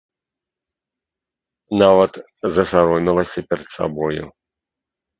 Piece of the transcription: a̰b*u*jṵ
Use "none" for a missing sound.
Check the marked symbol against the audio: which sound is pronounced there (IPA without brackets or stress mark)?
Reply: ɔ